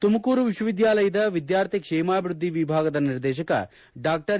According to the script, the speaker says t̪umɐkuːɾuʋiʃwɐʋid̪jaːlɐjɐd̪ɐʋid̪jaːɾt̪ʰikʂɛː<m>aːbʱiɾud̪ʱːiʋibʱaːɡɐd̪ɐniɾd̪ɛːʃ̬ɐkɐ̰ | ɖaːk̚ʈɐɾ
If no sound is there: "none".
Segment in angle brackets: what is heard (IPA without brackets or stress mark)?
m